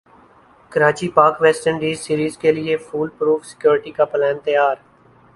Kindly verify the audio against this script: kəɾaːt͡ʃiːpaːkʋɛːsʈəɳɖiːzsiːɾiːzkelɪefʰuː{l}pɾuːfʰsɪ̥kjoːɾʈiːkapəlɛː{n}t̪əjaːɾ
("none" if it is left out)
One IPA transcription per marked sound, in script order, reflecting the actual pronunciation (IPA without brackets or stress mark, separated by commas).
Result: l, n